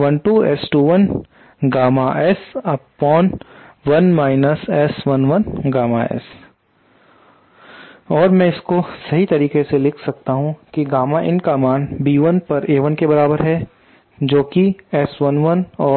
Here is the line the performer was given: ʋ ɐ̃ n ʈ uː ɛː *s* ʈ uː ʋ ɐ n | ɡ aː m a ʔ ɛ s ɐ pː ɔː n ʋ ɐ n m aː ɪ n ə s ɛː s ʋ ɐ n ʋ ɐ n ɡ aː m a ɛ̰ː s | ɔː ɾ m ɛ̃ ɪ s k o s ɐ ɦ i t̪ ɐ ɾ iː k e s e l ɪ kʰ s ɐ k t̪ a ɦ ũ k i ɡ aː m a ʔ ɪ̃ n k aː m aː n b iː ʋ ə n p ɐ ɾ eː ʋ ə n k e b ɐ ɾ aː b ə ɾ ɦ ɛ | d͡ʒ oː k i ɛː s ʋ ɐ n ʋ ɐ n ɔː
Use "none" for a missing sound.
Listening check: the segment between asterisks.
s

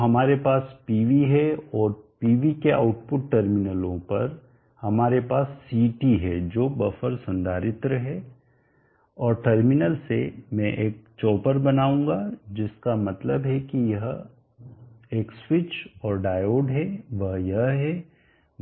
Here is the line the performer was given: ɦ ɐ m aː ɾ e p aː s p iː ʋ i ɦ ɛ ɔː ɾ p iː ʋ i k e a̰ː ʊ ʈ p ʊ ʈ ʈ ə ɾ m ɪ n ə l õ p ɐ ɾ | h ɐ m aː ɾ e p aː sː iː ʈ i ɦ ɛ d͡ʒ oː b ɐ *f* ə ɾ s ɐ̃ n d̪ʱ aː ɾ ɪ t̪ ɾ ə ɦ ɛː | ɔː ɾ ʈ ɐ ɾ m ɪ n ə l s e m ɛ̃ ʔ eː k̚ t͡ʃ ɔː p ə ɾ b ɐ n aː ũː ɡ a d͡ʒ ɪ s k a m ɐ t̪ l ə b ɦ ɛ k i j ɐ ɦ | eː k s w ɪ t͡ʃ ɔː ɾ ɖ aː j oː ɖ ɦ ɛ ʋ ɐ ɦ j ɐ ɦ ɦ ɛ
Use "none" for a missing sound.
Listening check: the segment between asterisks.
f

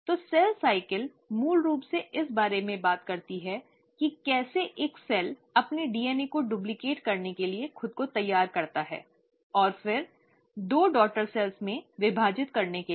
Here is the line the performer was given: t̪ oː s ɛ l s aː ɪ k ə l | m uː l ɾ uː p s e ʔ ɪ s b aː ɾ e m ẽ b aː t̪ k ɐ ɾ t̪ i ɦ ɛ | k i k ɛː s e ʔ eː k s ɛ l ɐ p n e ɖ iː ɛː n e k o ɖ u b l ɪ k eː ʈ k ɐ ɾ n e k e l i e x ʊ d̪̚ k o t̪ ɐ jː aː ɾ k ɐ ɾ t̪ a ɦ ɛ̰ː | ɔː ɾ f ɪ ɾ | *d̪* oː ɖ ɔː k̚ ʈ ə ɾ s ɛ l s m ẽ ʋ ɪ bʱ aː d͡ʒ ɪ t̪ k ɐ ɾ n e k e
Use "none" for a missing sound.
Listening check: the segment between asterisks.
d̪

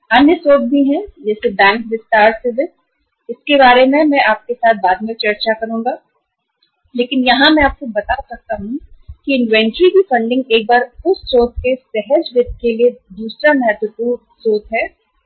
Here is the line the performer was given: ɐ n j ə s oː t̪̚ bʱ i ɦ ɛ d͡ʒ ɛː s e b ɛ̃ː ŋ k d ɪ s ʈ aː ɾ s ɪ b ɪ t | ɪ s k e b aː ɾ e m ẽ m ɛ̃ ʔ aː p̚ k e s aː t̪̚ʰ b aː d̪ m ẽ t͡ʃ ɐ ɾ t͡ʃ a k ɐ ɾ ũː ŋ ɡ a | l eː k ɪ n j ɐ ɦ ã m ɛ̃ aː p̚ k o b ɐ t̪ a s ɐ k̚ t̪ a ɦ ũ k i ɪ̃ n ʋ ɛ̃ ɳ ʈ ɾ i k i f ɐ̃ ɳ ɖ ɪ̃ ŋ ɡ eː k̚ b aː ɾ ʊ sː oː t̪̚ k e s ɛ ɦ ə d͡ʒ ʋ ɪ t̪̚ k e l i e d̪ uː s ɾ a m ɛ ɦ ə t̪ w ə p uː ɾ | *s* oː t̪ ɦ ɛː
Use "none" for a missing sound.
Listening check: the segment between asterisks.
s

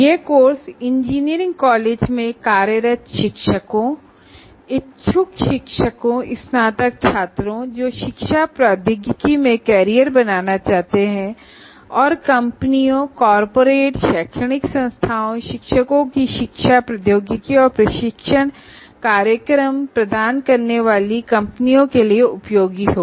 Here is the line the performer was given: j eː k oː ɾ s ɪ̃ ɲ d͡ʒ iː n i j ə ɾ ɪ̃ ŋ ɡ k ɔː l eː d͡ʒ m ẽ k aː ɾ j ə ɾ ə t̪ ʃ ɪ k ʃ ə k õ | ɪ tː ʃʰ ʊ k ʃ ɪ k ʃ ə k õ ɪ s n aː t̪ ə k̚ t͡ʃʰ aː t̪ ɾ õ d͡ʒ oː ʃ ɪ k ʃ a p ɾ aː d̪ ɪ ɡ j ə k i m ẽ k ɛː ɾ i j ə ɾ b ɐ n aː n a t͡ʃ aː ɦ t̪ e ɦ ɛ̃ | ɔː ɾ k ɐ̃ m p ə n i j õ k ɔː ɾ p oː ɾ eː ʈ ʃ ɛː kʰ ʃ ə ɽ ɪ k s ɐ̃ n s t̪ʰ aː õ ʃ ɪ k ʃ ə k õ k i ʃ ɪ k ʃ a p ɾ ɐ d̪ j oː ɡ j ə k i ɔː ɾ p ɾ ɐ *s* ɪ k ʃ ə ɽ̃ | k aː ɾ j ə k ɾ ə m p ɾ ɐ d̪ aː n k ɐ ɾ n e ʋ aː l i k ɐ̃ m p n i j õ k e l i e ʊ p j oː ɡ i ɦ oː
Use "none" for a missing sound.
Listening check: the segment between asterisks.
ʃ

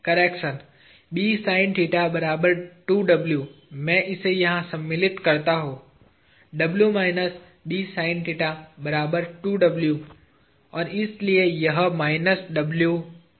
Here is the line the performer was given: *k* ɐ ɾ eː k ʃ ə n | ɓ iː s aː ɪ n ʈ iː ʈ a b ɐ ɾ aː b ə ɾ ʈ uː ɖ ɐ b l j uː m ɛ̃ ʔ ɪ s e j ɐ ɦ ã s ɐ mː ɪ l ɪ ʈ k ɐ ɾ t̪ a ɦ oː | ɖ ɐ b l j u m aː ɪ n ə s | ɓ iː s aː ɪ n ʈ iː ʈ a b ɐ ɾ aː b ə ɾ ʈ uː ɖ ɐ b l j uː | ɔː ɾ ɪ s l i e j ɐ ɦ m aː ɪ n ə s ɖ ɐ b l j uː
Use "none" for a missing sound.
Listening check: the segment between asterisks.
k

